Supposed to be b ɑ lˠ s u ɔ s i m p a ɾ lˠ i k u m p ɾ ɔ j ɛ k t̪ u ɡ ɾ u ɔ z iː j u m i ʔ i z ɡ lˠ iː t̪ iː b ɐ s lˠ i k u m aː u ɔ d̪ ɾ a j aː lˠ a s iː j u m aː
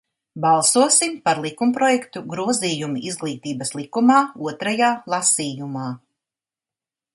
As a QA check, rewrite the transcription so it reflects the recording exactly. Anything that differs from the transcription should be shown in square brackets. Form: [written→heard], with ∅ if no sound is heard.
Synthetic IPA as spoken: b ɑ lˠ s u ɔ s i m p a ɾ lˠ i k u m p ɾ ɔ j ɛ k t̪ u ɡ ɾ u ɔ z iː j u m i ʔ i z ɡ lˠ iː t̪ iː b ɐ s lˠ i k u m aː u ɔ [d̪→t̪] ɾ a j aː lˠ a s iː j u m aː